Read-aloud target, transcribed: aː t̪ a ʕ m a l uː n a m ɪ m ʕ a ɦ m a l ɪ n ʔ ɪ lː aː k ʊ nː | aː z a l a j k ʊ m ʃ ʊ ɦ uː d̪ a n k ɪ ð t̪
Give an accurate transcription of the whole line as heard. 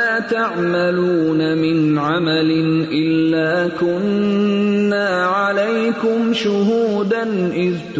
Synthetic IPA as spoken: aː t̪ a ʕ m a l uː n a m ɪ n ʕ a m a l ɪ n ʔ ɪ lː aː k ʊ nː | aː ʕ a l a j k ʊ m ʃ ʊ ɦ uː d̪ a n ʔ ɪ ð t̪